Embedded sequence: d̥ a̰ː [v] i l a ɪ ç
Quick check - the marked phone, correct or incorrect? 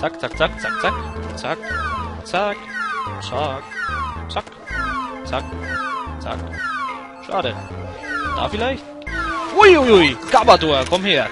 incorrect